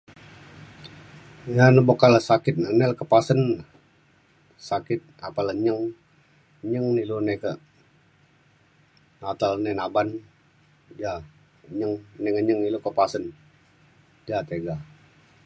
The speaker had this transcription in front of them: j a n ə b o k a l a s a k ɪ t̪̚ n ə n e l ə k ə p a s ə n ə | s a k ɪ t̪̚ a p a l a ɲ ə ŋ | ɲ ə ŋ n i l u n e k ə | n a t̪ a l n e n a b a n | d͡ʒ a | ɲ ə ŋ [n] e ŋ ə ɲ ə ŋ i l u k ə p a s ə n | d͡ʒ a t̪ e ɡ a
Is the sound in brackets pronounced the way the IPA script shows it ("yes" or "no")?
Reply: yes